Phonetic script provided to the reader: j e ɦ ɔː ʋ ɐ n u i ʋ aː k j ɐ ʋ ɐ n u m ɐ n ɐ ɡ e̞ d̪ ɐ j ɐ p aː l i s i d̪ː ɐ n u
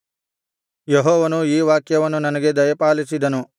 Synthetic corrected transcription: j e ɦ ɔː ʋ ɐ n u iː ʋ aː k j ɐ ʋ ɐ nː u n ɐ n ɐ ɡ e̞ d̪ ɐ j ɐ p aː l i s i d̪ ɐ n u